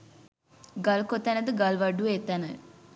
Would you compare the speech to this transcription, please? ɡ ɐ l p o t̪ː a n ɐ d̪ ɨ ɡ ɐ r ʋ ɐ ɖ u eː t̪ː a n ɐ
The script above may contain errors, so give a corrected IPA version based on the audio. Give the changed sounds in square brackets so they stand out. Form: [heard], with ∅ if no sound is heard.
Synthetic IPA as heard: ɡ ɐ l [k] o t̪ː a n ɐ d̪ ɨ ɡ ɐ [l] ʋ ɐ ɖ u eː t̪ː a n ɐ